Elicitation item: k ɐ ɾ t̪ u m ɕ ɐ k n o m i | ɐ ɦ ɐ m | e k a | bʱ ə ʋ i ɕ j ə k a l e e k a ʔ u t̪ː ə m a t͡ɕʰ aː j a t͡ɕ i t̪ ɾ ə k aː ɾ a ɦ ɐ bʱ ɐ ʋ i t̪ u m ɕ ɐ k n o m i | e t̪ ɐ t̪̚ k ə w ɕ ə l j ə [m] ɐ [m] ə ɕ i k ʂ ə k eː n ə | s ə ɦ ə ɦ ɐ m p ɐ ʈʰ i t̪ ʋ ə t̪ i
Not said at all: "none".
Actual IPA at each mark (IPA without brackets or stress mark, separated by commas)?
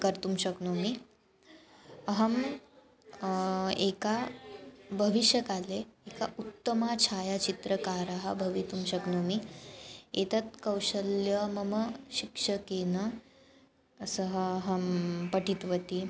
m, m